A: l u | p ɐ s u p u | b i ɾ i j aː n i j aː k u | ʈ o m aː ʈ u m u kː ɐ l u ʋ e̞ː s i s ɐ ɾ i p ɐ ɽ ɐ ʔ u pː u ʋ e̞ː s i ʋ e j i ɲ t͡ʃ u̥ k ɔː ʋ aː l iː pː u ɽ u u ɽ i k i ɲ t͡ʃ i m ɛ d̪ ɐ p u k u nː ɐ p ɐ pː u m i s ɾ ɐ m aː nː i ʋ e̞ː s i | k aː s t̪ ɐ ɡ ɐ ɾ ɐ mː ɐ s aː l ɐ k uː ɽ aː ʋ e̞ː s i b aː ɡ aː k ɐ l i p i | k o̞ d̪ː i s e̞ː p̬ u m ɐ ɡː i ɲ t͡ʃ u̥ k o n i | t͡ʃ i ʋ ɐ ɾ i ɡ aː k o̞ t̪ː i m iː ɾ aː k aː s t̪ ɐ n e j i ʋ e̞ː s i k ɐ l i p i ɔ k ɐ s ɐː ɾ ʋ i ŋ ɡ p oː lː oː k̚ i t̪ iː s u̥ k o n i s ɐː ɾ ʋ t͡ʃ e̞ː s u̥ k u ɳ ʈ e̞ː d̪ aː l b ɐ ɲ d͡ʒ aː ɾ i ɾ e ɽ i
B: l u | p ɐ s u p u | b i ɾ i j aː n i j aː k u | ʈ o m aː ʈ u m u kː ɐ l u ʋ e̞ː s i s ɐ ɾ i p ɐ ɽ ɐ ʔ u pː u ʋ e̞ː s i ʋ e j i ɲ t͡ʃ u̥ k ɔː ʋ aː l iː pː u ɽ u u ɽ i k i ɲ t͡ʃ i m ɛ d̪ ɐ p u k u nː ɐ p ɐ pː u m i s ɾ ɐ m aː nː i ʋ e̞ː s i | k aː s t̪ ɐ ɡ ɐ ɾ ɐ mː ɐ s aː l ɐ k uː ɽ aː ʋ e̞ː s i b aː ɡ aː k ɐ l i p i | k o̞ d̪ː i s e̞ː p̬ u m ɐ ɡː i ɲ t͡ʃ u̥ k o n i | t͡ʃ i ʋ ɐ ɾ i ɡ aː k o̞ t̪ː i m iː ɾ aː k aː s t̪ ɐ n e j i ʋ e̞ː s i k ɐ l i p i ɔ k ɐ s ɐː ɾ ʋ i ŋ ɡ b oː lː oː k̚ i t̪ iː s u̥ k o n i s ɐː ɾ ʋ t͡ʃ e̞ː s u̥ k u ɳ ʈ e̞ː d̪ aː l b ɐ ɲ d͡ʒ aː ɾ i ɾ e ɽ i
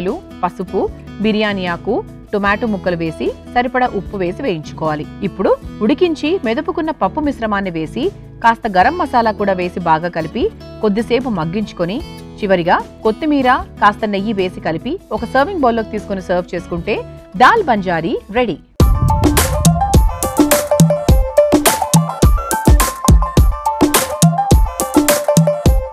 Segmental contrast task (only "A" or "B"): B